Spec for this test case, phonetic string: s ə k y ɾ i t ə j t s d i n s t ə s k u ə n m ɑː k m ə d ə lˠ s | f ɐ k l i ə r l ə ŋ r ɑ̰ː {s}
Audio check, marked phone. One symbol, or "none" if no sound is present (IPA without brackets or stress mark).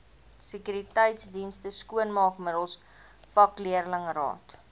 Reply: t